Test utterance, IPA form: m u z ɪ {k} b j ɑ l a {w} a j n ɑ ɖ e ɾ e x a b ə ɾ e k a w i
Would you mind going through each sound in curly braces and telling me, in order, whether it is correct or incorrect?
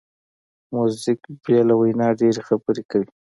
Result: correct, correct

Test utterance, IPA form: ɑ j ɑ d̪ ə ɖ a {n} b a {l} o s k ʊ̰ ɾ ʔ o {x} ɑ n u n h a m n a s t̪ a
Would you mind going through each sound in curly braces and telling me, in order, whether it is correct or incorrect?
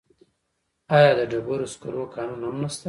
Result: incorrect, incorrect, incorrect

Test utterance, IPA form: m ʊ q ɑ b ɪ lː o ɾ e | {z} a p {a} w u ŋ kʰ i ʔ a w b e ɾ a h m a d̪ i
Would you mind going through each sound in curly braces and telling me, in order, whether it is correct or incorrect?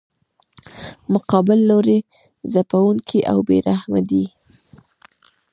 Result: correct, correct

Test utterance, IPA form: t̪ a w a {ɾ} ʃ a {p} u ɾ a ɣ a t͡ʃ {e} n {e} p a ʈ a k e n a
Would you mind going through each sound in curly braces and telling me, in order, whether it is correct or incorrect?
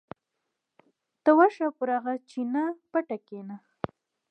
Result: incorrect, correct, incorrect, incorrect

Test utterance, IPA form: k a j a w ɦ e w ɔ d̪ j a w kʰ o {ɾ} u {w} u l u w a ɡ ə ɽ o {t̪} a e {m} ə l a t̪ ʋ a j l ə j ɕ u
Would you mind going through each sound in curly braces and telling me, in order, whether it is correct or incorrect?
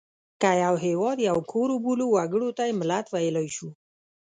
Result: correct, incorrect, correct, correct

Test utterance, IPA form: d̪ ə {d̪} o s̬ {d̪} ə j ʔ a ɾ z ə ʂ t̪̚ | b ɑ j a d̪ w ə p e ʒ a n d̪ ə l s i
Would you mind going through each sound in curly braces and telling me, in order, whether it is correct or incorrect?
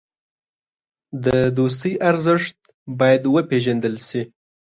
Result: correct, incorrect

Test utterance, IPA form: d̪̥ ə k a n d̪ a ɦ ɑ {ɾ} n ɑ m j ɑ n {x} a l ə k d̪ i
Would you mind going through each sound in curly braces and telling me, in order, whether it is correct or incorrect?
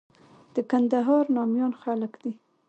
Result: correct, correct

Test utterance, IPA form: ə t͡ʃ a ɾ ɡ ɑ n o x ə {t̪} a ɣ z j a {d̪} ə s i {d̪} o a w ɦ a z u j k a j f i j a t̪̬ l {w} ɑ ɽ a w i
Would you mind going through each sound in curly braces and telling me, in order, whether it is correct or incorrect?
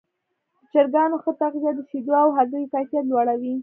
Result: correct, correct, correct, correct

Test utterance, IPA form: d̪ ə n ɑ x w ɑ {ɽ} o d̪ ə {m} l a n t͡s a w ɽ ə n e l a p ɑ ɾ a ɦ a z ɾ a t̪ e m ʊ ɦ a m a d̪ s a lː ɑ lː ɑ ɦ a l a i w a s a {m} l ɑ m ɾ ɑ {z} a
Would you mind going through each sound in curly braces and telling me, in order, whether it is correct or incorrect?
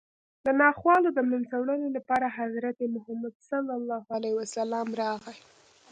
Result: incorrect, correct, incorrect, incorrect

